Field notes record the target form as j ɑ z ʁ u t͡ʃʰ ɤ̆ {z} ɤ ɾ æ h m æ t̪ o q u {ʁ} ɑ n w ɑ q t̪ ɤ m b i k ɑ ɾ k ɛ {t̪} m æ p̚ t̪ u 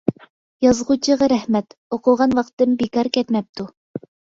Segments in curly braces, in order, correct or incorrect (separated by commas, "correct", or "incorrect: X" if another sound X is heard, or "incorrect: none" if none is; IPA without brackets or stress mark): incorrect: ʁ, correct, correct